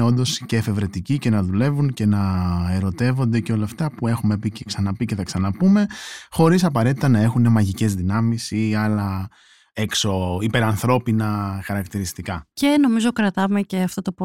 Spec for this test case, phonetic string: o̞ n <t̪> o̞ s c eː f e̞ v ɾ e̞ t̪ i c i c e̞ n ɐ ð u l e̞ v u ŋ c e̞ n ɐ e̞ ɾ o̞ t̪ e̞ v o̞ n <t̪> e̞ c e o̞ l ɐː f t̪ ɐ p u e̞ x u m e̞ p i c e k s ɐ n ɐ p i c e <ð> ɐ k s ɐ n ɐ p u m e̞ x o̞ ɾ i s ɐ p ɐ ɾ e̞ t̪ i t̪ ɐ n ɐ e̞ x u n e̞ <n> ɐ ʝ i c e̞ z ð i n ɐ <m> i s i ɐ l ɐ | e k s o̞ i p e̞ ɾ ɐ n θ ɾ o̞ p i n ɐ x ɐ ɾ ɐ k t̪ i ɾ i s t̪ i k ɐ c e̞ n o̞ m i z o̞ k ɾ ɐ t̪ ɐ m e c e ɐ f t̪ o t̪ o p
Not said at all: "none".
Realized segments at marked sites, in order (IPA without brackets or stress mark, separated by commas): d̪, d̪, θ, m, m